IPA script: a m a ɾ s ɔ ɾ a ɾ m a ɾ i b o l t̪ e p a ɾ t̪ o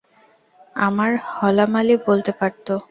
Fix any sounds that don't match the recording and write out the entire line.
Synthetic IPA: a m a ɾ h ɔ l a m a l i b o l t̪ e p a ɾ t̪ o